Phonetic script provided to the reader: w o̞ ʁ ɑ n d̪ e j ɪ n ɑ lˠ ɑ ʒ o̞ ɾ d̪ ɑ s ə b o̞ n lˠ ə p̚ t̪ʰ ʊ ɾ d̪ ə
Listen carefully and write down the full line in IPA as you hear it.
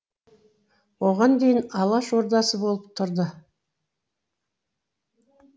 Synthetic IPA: w o̞ ʁ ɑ n d̪ e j ɪ n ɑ lˠ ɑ ʃ o̞ ɾ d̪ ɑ s ə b o̞ lˠ ə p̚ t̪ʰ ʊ ɾ d̪ ə